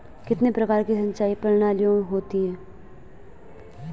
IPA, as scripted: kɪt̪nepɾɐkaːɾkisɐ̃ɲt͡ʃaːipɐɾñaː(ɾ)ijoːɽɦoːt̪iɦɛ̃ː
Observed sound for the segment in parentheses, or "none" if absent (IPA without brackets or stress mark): l